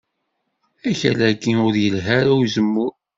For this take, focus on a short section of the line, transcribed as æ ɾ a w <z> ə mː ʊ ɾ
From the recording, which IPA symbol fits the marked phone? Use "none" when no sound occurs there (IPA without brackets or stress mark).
z